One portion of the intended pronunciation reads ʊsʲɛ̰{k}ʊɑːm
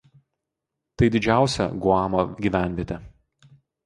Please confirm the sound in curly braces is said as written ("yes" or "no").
no